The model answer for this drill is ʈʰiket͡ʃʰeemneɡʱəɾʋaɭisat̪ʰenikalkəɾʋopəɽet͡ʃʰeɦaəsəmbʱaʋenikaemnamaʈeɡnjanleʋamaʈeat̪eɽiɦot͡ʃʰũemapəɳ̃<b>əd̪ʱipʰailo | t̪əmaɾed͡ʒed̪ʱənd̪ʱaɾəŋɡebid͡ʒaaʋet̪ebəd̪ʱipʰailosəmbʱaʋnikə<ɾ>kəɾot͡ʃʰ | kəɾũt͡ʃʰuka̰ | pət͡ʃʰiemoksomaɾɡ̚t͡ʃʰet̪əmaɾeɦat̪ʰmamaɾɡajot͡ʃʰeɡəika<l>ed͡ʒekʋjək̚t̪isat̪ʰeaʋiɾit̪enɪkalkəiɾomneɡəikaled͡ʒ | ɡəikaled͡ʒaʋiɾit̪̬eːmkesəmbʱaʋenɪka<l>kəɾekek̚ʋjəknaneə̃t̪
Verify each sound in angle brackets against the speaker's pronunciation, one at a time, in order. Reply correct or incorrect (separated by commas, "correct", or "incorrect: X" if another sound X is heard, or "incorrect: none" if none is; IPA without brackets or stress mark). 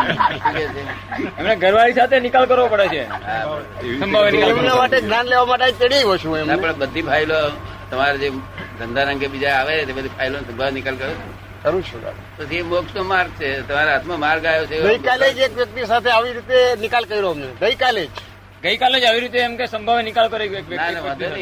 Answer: correct, incorrect: l, correct, correct